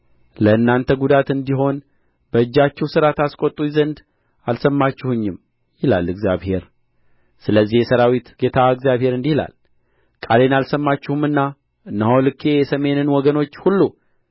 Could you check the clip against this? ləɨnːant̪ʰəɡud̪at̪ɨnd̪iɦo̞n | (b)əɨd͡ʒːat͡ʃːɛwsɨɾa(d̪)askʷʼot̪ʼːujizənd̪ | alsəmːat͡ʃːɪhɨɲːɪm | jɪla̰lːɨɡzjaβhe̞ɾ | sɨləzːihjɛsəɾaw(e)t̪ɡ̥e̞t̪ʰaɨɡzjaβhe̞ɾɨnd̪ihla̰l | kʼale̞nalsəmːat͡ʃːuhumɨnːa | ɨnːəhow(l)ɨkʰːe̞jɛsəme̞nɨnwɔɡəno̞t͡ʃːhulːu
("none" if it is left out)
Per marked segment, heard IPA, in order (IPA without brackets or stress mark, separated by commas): b, t̪, i, l